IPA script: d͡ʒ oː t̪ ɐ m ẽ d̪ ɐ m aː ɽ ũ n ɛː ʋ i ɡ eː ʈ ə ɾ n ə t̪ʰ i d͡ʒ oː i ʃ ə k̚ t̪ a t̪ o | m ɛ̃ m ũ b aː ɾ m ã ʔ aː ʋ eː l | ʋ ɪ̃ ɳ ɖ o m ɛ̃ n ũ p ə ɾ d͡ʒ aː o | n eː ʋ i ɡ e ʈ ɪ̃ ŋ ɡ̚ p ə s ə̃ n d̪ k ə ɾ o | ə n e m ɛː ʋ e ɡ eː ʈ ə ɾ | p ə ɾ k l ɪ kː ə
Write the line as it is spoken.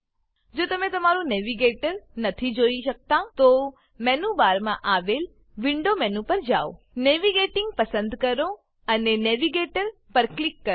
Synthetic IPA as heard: d͡ʒ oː t̪ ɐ m ẽ t̪ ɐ m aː ɾ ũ n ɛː ʋ i ɡ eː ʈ ə ɾ n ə t̪ʰ i d͡ʒ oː i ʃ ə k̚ t̪ a t̪ o | m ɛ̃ n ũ b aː ɾ m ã ʔ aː ʋ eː l | ʋ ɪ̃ ɳ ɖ o m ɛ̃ n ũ p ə ɾ d͡ʒ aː o | n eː ʋ i ɡ e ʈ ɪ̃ ŋ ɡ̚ p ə s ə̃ n d̪ k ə ɾ o | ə n e n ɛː ʋ i ɡ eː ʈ ə ɾ | p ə ɾ k l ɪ kː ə